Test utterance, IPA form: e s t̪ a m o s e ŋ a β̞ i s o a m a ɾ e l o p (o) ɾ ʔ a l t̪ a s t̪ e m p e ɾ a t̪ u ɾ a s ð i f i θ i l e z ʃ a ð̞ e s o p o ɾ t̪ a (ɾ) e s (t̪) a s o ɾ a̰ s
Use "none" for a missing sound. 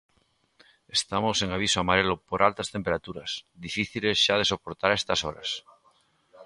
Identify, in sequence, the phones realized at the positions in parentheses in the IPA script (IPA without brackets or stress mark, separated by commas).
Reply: o, ɾ, t̪